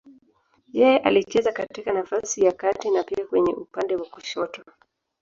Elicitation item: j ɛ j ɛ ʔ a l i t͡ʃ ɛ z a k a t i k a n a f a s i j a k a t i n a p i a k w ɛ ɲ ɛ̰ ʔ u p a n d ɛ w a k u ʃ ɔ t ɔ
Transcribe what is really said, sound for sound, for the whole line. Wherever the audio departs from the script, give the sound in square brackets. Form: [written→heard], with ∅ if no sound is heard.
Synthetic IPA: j ɛ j ɛ ʔ a l i t͡ʃ ɛ z a k a t i k a n a f a s i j a k a t i n a p i a k w ɛ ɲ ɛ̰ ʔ u p a n d ɛ w a k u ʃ ɔ t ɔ

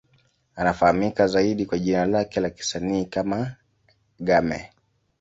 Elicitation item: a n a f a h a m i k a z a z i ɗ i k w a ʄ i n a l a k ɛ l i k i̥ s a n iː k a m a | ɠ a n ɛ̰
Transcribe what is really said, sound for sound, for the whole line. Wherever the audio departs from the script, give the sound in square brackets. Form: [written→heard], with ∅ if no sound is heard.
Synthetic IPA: a n a f a h a m i k a z a [z→∅] i ɗ i k w a ʄ i n a l a k ɛ l [i→a] k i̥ s a n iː k a m a | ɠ a [n→m] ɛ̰

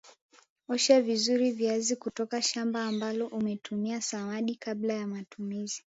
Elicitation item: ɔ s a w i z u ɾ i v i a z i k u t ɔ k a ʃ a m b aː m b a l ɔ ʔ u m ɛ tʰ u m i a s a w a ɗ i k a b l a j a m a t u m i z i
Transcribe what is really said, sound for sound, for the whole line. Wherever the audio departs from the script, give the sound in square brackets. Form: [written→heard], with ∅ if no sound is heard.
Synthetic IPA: ɔ [s→ʃ] a [w→v] i z u ɾ i v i a z i k u t ɔ k a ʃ a m b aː m b a l ɔ ʔ u m ɛ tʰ u m i a s a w a ɗ i k a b l a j a m a t u m i z i

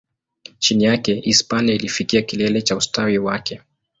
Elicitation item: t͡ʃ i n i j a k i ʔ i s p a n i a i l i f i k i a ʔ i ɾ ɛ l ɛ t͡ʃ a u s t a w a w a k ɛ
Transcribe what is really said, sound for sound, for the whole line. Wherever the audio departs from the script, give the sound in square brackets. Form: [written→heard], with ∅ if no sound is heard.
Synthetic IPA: t͡ʃ i n i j a k [i→ɛ] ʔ i s p a n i a i l i f i k i a [ʔ→k] i [ɾ→l] ɛ l ɛ t͡ʃ a u s t a w [a→i] w a k ɛ

